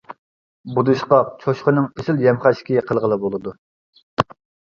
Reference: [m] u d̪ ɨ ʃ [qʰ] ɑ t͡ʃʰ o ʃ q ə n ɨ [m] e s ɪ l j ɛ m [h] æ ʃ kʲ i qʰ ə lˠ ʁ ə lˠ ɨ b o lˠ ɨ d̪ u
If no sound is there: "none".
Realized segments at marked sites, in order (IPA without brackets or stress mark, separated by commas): b, q, ŋ, χ